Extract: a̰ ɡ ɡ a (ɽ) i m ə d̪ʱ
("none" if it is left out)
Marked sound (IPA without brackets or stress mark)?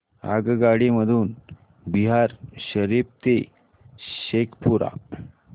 ɽ